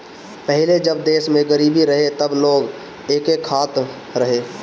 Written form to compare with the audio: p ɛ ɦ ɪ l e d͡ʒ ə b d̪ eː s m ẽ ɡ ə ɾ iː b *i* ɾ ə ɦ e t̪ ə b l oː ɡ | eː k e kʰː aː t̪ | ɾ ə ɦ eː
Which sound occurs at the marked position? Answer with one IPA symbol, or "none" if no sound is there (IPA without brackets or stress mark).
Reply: i